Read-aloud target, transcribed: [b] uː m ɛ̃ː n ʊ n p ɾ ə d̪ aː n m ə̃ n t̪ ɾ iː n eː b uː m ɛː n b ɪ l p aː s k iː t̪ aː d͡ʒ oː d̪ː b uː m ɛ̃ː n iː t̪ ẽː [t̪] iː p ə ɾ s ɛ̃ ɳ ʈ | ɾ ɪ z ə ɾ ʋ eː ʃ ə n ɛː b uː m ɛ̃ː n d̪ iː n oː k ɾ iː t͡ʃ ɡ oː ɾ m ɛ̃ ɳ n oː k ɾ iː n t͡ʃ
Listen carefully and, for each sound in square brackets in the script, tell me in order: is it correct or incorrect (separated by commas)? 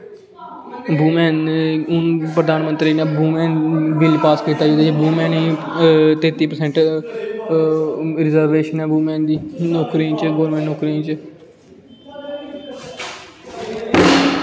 correct, correct